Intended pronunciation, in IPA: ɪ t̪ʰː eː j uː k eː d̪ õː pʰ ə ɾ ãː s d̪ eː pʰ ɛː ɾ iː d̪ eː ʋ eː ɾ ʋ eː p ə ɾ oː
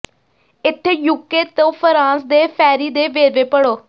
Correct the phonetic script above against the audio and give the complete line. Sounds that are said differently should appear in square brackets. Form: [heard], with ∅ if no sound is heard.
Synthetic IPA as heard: ɪ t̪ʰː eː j uː k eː [t̪] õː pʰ ə ɾ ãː s d̪ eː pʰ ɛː ɾ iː d̪ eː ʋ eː ɾ ʋ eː p ə [ɽ] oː